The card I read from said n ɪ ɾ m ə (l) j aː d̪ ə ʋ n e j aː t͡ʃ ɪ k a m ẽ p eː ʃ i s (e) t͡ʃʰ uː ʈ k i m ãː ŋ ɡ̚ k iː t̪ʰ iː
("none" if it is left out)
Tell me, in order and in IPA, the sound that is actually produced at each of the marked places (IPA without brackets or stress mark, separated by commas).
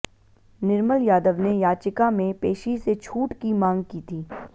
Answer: l, e